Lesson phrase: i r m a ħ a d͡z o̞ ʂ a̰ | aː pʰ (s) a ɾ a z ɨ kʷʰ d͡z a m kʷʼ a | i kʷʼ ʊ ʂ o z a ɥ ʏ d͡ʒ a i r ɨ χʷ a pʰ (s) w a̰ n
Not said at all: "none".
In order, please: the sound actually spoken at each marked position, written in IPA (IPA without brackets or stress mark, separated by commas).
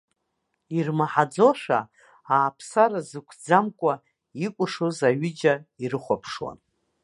s, ʂ